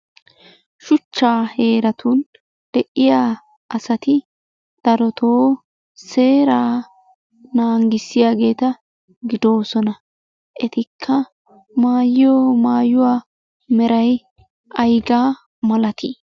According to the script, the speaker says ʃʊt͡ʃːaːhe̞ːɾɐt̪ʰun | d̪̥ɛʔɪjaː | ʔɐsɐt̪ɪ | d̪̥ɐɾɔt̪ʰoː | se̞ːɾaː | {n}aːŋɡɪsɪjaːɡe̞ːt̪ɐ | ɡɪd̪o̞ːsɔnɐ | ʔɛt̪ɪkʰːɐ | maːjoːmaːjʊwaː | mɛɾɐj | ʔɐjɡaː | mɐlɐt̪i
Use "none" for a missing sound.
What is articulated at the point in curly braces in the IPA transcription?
n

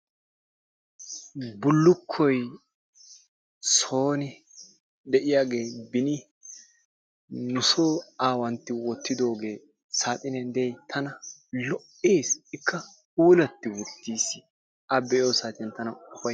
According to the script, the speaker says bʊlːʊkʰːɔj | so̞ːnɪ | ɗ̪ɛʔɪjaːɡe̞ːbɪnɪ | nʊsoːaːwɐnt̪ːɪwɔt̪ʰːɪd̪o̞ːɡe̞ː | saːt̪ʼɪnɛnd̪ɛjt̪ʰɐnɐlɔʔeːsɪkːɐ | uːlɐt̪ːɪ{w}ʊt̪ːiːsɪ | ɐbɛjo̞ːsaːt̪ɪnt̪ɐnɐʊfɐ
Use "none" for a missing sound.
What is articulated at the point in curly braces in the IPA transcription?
w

